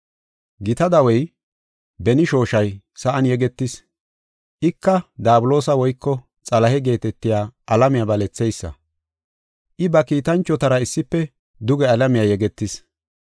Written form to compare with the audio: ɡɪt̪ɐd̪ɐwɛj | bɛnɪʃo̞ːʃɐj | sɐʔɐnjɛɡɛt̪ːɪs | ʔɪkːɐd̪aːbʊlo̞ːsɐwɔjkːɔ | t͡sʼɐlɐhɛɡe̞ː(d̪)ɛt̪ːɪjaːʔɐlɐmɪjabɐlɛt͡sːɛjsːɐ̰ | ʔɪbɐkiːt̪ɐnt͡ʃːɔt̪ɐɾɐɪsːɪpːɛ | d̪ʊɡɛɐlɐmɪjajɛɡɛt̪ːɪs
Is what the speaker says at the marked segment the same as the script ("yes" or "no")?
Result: no